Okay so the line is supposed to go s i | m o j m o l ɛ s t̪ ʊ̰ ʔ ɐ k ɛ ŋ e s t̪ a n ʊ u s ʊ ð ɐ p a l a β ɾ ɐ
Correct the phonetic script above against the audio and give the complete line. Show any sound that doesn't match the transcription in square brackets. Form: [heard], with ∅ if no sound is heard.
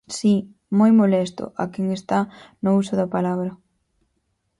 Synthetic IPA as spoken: s i | m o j m o l ɛ s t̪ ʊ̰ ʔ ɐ k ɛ ŋ e s t̪ a n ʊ u s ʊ ð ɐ p a l a β ɾ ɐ

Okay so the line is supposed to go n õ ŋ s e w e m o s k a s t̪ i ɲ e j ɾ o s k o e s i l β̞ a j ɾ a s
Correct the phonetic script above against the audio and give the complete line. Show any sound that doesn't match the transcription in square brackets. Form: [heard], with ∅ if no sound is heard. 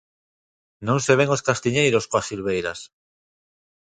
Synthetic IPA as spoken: n õ ŋ s e [β] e [ŋ] o s k a s t̪ i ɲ e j ɾ o s k o [a] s i l β̞ [e] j ɾ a s

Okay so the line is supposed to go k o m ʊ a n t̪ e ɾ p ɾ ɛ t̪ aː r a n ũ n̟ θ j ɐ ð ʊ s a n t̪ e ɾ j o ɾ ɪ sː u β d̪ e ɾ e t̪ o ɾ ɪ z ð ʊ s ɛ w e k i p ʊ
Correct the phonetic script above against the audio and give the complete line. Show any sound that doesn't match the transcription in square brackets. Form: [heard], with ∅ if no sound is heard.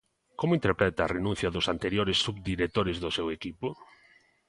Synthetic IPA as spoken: k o m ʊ [i] n t̪ e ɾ p ɾ ɛ t̪ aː r [e] n ũ n̟ θ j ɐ ð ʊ s a n t̪ e ɾ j o ɾ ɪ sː u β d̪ [i] ɾ e t̪ o ɾ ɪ z ð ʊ s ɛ w e k i p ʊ

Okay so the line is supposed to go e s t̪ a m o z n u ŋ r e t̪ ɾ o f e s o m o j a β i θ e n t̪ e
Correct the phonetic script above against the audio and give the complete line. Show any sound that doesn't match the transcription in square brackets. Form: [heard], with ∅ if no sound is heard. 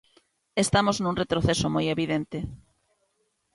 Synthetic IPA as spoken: e s t̪ a m o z n u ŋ r e t̪ ɾ o [θ] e s o m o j [e] β i [ð] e n t̪ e

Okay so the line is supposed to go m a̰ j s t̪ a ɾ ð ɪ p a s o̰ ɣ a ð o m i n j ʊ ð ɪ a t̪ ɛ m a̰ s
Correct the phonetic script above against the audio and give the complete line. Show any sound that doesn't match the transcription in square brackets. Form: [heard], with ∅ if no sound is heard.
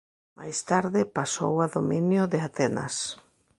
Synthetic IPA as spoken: m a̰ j s t̪ a ɾ ð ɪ p a s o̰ [w] a ð o m i n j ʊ ð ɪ a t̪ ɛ [n] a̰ s

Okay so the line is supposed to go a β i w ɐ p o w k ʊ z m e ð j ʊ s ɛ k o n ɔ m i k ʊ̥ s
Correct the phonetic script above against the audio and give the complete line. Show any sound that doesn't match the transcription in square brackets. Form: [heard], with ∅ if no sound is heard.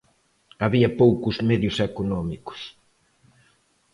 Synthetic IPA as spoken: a β i [∅] ɐ p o w k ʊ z m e ð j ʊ s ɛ k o n ɔ m i k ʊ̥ s

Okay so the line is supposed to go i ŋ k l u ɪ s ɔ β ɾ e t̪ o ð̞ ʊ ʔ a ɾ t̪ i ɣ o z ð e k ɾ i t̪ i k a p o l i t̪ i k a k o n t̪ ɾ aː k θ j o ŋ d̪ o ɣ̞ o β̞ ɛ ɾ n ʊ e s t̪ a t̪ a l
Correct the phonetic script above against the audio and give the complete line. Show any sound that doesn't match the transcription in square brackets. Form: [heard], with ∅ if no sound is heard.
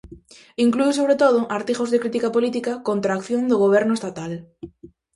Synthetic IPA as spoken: i ŋ k l u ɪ s [o] β ɾ e t̪ o ð̞ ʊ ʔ a ɾ t̪ i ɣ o z ð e k ɾ i t̪ i k a p o l i t̪ i k a k o n t̪ ɾ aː k θ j o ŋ d̪ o ɣ̞ o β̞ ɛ ɾ n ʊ e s t̪ a t̪ a l

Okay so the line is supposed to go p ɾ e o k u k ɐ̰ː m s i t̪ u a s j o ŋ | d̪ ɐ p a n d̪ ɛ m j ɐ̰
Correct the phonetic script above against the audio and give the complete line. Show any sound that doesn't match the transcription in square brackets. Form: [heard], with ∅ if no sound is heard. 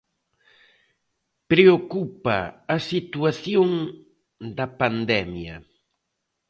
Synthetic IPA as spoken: p ɾ e o k u [p] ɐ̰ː [∅] s i t̪ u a [θ] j o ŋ | d̪ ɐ p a n d̪ ɛ m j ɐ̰

